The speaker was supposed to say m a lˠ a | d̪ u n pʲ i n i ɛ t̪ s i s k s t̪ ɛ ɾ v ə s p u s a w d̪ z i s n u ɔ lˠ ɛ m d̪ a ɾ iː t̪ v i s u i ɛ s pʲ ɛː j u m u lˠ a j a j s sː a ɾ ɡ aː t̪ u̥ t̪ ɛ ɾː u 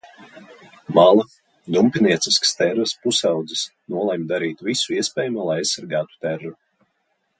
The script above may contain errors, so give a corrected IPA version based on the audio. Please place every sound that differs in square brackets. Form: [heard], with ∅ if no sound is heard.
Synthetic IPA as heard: m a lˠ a | d̪ u [m] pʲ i n i ɛ t̪ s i s k s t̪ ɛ ɾ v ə s p u s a w d̪ z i s n u ɔ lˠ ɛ m d̪ a ɾ iː t̪ v i s u i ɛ s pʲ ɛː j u m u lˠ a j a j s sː a ɾ ɡ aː t̪ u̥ t̪ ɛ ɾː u